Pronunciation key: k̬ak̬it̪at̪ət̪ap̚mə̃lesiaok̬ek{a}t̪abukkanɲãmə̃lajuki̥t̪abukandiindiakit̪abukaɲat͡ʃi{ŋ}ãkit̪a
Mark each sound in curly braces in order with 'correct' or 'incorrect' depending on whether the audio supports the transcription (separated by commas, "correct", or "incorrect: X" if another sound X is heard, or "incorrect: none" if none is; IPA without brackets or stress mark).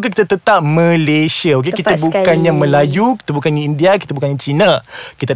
incorrect: i, incorrect: n